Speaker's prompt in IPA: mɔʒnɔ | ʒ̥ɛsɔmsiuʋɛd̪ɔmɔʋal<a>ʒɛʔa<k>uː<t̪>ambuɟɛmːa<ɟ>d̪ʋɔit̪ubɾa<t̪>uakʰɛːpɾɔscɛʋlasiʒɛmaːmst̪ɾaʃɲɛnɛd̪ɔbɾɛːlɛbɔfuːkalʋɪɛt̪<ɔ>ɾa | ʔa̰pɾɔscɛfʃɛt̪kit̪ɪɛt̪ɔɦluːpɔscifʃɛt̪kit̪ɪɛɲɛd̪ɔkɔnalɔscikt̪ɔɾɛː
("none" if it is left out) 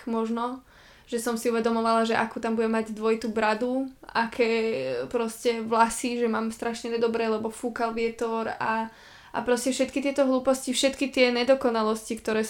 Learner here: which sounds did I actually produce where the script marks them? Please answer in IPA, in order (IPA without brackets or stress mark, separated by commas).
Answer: a, k, t̪, ɟ, d̪, ɔ